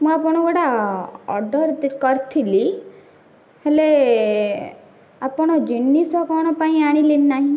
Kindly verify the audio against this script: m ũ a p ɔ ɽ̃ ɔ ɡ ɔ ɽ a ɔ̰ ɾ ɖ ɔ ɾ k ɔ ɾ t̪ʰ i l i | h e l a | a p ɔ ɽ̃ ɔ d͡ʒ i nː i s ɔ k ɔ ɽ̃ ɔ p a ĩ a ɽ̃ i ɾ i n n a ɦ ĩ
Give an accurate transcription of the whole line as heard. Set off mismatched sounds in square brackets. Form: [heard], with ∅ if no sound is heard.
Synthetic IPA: m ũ a p ɔ ɽ̃ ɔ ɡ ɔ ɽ a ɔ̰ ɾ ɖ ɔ ɾ k ɔ ɾ t̪ʰ i l i | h e l [e] | a p ɔ ɽ̃ ɔ d͡ʒ i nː i s ɔ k ɔ ɽ̃ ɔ p a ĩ a ɽ̃ i [l] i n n a ɦ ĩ